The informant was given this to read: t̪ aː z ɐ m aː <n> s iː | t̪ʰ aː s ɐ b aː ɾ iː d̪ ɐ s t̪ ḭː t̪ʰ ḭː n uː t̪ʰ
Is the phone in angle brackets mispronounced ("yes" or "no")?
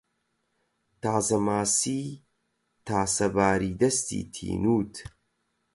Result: yes